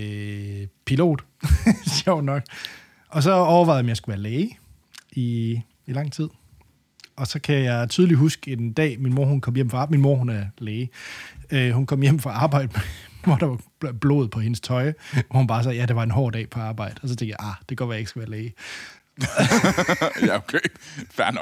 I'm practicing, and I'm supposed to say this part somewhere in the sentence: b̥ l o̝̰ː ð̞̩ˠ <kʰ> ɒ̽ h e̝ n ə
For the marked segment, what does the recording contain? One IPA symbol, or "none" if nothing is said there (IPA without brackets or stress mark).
pʰ